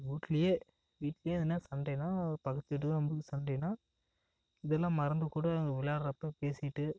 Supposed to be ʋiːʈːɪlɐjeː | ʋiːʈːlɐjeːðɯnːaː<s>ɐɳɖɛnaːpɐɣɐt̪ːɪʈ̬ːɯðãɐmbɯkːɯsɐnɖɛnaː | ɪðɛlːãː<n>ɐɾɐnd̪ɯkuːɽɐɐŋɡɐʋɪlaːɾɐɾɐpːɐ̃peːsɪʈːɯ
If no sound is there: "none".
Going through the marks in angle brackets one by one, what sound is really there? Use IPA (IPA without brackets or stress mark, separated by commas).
s, m